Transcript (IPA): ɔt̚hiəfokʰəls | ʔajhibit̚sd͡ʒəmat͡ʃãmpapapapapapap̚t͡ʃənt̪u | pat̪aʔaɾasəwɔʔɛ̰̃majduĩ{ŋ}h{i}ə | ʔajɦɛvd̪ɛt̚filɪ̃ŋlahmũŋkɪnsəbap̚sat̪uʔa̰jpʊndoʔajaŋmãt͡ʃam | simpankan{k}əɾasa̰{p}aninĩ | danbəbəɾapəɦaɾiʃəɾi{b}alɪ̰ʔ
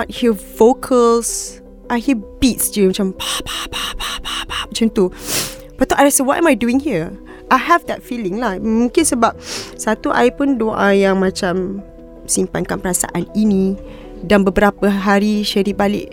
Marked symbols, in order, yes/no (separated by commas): yes, yes, no, no, yes